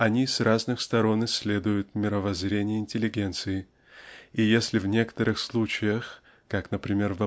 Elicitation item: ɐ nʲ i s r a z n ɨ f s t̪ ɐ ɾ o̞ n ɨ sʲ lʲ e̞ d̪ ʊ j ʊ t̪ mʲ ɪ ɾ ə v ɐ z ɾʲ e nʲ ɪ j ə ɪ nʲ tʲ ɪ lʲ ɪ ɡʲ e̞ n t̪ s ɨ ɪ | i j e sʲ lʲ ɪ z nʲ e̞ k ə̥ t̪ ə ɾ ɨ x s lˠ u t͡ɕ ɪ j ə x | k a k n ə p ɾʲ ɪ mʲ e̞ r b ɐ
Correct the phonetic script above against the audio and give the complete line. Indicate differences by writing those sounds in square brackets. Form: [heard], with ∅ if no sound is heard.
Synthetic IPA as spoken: ɐ nʲ i s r a z n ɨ [x] s t̪ ɐ ɾ o̞ n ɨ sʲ lʲ e̞ d̪ ʊ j ʊ t̪ mʲ ɪ ɾ ə v ɐ z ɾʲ e nʲ ɪ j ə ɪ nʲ tʲ ɪ lʲ ɪ ɡʲ e̞ n t̪ s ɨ ɪ | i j e sʲ lʲ ɪ [v] nʲ e̞ k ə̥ t̪ ə ɾ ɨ x s lˠ u t͡ɕ ɪ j ə x | k a k n ə p ɾʲ ɪ mʲ e̞ r [v] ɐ